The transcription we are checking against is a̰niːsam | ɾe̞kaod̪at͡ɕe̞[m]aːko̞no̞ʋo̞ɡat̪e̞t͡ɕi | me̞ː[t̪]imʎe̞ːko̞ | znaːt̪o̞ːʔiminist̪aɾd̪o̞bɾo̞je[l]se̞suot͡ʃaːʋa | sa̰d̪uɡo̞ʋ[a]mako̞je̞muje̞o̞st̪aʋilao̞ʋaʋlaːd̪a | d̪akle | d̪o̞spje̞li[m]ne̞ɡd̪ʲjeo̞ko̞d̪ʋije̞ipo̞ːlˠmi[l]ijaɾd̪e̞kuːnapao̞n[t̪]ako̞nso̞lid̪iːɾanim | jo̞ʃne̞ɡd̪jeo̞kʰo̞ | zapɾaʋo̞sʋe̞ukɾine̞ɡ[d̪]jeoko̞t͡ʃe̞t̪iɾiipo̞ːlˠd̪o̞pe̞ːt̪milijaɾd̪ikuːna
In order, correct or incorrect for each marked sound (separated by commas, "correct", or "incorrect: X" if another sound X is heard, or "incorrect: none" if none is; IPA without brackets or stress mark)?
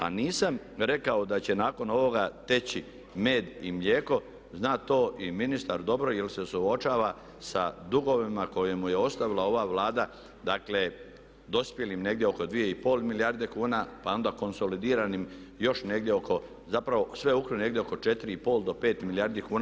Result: incorrect: n, incorrect: d̪, correct, incorrect: i, correct, correct, incorrect: d̪, correct